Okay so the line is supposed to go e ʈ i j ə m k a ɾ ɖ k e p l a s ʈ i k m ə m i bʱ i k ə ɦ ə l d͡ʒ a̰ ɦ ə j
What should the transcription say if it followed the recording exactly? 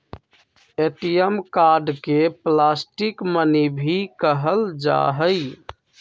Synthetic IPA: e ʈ i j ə m k a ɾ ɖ k e p l a s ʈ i k m ə n i bʱ i k ə ɦ ə l d͡ʒ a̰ ɦ ə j